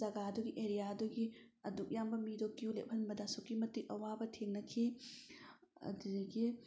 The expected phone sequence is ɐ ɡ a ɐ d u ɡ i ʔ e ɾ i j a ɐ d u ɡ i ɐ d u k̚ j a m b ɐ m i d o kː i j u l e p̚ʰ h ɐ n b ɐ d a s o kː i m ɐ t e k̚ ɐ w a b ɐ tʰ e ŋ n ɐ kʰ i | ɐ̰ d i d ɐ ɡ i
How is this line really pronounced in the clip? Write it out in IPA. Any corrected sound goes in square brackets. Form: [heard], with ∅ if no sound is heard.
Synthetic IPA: ɐ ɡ a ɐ d u ɡ i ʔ e ɾ i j a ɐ d u ɡ i ɐ d u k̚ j a m b ɐ m i d o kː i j u l e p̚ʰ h ɐ n b ɐ d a s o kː i m ɐ t [i] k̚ ɐ w a b ɐ tʰ e ŋ n ɐ kʰ i | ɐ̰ d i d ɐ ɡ i